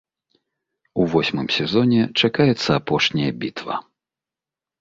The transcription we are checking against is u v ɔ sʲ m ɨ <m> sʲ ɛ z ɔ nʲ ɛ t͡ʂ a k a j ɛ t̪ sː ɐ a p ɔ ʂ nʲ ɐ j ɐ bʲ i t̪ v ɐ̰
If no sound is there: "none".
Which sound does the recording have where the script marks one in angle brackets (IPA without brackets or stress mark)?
m